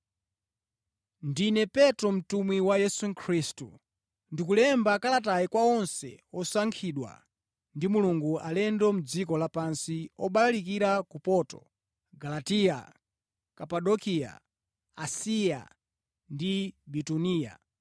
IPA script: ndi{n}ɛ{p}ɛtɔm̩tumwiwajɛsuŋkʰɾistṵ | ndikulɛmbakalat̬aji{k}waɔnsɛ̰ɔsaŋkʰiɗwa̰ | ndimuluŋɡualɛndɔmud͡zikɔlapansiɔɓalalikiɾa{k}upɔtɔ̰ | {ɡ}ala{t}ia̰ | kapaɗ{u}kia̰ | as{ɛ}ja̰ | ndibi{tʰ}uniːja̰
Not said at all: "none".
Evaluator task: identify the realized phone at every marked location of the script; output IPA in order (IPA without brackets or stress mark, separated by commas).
n, p, k, k, ɡ, t, ɔ, i, t